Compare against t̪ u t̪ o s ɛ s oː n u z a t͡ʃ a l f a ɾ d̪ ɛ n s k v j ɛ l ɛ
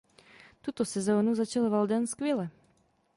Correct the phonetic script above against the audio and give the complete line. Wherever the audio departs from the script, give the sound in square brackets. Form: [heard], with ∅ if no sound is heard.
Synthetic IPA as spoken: t̪ u t̪ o s ɛ [z] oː n u z a t͡ʃ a l [v] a [l] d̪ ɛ n s k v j ɛ l ɛ